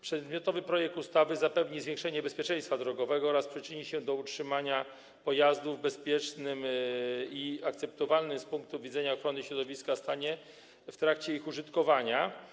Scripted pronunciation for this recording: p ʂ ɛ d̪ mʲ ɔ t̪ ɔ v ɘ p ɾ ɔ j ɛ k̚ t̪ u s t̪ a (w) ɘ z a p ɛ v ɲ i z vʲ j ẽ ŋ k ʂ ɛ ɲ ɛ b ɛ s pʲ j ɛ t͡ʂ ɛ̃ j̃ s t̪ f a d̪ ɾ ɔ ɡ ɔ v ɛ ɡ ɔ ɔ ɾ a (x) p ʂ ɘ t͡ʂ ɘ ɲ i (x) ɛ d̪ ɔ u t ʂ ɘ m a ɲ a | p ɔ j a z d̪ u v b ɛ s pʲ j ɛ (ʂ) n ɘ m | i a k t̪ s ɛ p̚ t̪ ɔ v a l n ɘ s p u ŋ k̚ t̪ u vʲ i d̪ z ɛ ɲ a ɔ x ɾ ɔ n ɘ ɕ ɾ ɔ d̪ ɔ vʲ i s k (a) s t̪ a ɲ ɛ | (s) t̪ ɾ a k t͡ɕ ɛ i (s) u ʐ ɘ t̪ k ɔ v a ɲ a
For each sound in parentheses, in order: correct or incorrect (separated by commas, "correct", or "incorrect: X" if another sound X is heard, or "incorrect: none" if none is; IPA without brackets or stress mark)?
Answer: incorrect: v, incorrect: s, incorrect: ɕ, incorrect: t͡ʂ, correct, incorrect: f, incorrect: x